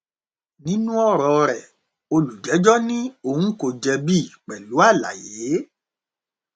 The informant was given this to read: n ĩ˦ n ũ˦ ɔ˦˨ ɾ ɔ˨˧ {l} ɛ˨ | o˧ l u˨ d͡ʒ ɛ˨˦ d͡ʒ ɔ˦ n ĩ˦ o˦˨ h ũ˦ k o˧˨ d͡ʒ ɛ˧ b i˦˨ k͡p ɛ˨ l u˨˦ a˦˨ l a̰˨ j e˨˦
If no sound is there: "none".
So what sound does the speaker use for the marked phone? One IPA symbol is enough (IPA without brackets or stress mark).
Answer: ɾ